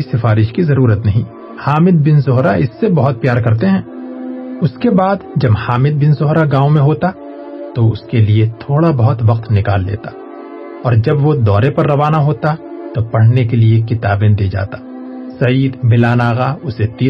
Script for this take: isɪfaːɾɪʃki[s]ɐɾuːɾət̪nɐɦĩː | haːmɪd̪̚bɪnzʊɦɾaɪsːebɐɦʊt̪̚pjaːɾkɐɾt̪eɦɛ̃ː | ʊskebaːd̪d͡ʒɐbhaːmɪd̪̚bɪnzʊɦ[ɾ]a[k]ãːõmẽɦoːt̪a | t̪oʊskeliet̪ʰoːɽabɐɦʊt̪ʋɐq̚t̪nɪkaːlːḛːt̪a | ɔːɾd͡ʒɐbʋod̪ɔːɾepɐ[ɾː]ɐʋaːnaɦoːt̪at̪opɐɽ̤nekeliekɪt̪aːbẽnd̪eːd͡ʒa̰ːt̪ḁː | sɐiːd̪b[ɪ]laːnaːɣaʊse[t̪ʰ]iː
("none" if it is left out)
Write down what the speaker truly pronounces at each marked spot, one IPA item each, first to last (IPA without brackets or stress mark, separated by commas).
z, ɾ, ɡ, ɾː, ɪ, t̪